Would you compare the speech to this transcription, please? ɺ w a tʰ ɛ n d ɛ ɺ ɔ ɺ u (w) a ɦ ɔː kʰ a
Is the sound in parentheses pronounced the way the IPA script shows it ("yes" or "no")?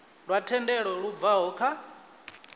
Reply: no